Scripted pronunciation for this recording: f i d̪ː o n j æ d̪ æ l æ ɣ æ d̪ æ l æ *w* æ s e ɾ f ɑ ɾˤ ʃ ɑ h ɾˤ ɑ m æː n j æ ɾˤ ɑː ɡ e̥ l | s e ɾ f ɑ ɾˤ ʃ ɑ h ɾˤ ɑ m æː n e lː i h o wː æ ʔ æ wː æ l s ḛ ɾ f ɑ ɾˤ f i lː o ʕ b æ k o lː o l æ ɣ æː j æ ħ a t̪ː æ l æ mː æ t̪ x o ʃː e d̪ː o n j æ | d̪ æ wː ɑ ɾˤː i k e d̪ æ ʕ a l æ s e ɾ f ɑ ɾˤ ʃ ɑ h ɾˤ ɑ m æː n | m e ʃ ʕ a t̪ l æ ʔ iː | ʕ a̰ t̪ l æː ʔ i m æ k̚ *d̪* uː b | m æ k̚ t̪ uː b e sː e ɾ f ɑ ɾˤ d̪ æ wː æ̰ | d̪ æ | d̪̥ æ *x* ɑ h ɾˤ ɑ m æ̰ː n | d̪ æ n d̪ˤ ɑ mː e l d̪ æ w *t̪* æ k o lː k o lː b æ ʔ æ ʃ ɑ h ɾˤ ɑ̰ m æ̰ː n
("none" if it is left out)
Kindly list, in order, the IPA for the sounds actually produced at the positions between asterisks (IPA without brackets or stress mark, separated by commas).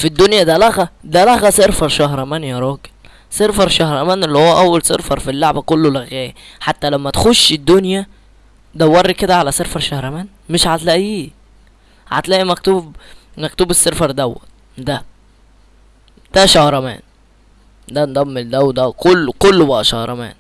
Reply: ɣ, t̪, ʃ, d̪